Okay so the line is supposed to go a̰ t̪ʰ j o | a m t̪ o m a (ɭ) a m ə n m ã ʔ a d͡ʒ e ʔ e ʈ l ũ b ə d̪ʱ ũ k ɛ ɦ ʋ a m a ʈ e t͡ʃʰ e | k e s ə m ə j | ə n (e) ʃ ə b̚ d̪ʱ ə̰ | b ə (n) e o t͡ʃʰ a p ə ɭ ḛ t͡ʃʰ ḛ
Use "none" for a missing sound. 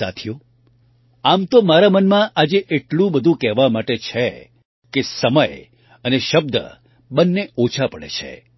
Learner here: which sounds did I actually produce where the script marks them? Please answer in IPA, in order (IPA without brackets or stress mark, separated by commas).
ɾ, e, nː